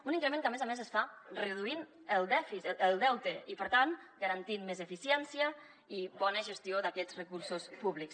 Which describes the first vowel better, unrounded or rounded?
rounded